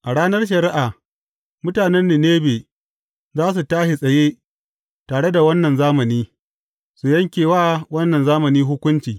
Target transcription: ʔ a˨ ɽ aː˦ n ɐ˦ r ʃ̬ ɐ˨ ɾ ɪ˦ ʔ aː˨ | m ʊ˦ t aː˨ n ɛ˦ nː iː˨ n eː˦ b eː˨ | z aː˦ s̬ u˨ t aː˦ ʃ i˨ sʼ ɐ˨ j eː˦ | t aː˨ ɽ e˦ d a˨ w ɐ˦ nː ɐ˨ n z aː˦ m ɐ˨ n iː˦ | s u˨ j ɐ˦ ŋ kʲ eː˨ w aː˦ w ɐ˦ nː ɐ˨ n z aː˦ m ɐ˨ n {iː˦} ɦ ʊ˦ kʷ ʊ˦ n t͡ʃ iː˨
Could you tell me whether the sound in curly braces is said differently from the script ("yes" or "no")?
no